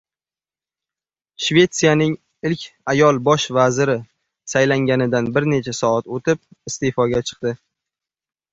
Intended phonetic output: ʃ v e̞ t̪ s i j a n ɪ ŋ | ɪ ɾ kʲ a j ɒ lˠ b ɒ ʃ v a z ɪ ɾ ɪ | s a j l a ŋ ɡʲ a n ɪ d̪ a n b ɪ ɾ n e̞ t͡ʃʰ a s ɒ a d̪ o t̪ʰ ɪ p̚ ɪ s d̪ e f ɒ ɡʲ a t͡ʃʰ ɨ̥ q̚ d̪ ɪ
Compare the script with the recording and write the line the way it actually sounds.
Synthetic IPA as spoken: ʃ v e̞ t̪ s i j a n ɪ ŋ | ɪ l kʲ a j ɒ lˠ b ɒ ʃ v a z ɪ ɾ ɪ | s a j l a ŋ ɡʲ a n ɪ d̪ a n b ɪ ɾ n e̞ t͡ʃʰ a s ɒ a t̪ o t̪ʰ ɪ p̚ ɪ s t̪ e f ɒ ɡʲ a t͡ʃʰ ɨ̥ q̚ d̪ ɪ